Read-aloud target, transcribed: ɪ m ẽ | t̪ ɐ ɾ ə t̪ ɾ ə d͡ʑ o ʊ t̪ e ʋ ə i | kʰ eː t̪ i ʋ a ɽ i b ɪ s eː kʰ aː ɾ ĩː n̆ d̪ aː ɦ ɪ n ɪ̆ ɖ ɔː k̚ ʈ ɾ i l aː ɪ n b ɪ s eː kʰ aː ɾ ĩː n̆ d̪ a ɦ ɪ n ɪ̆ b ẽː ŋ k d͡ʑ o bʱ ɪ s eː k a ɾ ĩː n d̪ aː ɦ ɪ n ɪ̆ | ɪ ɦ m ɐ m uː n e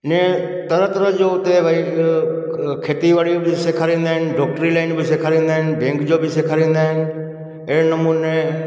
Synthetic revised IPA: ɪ n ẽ | t̪ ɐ ɾ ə t̪ ɾ ə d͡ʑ o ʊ t̪ e ʋ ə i | kʰ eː t̪ i ʋ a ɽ i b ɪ s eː kʰ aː ɾ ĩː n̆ d̪ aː ɦ ɪ n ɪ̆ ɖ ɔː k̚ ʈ ɾ i l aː ɪ n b ɪ s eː kʰ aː ɾ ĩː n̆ d̪ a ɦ ɪ n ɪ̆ b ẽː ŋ k d͡ʑ o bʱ ɪ s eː kʰ a ɾ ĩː n d̪ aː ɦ ɪ n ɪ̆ | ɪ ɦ n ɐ m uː n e